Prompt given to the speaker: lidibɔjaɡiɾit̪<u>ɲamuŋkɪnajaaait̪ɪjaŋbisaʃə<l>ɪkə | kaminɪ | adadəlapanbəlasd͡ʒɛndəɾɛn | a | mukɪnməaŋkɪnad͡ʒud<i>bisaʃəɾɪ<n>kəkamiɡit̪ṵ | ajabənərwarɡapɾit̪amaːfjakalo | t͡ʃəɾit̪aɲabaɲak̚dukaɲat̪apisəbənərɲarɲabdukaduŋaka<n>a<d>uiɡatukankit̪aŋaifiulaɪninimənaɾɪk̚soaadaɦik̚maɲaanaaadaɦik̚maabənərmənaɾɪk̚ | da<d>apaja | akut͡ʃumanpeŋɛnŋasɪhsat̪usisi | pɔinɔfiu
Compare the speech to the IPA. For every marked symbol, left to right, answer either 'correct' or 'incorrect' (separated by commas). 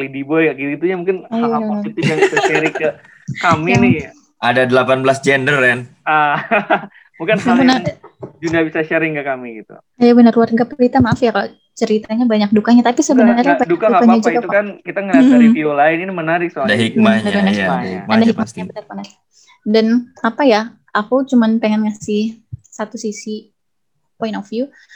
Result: correct, incorrect, incorrect, incorrect, incorrect, incorrect, incorrect